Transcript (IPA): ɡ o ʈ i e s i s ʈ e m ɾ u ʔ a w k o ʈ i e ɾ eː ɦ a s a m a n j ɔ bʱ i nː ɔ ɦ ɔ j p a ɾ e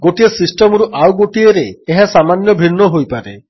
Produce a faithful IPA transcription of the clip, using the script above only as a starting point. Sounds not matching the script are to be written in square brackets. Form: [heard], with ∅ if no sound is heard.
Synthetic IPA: ɡ o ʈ i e s i s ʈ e m ɾ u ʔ a w [ɡ] o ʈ i e ɾ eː ɦ a s a m a n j ɔ bʱ i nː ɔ ɦ [o] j p a ɾ e